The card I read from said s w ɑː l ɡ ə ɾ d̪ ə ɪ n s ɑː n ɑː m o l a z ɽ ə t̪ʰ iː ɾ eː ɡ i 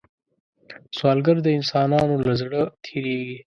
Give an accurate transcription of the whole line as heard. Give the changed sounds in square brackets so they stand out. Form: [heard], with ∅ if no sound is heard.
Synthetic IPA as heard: s w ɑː l ɡ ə ɾ d̪ ə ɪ n s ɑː n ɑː [n] o l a z ɽ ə t̪ʰ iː ɾ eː ɡ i